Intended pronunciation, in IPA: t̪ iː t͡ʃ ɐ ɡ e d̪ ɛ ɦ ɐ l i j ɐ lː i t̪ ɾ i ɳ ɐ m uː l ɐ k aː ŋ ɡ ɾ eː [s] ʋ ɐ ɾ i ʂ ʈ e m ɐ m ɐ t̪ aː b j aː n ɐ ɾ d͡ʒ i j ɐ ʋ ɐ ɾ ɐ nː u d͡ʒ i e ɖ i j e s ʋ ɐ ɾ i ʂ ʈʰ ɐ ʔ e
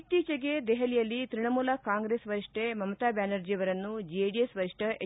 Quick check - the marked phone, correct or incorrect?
correct